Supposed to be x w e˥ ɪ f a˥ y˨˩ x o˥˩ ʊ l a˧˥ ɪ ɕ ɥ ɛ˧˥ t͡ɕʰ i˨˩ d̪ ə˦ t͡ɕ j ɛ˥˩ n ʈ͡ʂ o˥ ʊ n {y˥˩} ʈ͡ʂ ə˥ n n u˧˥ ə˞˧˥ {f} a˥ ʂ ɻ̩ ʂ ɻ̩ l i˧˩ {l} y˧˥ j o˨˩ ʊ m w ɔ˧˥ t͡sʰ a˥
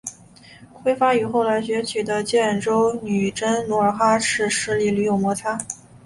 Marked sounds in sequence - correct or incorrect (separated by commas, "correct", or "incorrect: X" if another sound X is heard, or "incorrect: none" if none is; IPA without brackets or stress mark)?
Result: incorrect: y˨˩, incorrect: x, correct